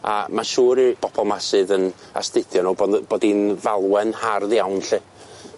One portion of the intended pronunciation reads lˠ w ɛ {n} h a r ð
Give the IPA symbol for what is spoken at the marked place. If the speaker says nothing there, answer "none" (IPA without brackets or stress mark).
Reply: n